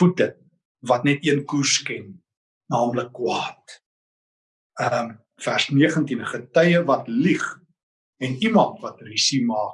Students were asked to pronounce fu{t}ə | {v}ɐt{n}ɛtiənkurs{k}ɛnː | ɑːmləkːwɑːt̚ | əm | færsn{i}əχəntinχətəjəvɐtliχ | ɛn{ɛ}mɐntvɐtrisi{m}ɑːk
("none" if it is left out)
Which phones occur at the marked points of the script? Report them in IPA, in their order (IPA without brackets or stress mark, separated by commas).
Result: t, v, n, k, i, i, m